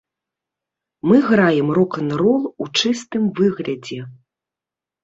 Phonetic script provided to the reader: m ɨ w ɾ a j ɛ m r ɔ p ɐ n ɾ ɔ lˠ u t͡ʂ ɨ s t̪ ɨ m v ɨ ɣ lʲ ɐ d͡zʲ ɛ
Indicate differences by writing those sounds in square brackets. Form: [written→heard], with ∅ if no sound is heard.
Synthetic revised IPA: m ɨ [w→ɣ] ɾ a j ɛ m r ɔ [p→k] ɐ n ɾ ɔ lˠ u t͡ʂ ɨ s t̪ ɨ m v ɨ ɣ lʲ ɐ d͡zʲ ɛ